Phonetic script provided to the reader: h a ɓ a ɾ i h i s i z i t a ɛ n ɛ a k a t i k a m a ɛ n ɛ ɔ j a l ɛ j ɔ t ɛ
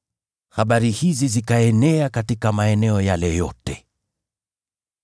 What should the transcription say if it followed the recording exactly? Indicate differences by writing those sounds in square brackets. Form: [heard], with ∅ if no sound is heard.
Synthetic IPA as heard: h a ɓ a ɾ i h i [z] i z i [k] a ɛ n ɛ a k a t i k a m a ɛ n ɛ ɔ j a l ɛ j ɔ t ɛ